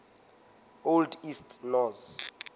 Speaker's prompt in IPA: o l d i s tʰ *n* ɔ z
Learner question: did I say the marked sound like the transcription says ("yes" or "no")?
yes